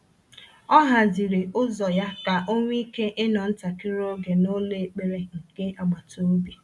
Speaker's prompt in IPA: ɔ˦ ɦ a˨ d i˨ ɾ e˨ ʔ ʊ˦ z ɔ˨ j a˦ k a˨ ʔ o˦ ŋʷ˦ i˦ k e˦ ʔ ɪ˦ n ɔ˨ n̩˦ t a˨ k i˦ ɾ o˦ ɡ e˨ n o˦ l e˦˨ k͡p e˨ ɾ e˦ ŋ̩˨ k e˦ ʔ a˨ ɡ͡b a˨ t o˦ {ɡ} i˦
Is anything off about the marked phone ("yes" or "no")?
yes